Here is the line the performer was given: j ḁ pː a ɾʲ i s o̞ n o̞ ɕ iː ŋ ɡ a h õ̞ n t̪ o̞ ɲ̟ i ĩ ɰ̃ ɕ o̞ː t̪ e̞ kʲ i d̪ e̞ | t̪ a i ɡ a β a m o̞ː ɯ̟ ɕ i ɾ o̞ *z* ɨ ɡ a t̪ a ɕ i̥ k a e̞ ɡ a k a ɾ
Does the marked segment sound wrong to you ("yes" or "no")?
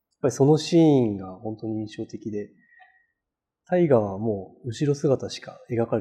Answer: yes